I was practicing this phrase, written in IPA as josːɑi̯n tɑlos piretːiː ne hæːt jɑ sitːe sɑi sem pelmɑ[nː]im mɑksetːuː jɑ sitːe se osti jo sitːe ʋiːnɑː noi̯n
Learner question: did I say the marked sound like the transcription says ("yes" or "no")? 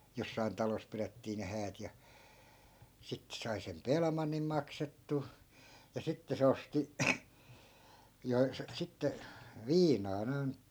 yes